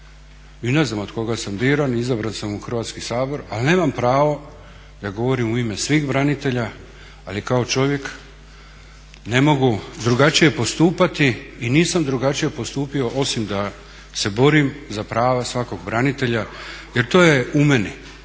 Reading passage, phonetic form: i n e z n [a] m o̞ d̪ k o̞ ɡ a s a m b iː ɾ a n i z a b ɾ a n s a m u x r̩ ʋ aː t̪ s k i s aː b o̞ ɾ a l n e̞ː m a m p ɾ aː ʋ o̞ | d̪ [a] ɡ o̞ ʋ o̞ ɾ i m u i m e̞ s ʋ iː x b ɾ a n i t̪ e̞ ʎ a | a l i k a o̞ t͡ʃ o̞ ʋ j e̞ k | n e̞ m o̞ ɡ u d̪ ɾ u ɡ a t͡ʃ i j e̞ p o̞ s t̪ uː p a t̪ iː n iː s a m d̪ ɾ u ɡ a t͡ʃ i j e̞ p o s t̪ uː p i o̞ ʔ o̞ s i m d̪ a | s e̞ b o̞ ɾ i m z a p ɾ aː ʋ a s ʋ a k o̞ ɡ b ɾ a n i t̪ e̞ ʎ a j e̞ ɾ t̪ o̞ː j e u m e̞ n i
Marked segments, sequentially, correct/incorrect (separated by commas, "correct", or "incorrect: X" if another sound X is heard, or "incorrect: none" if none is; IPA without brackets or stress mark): correct, correct